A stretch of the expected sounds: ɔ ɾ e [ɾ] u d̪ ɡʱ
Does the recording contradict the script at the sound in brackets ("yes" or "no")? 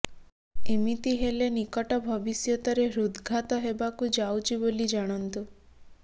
no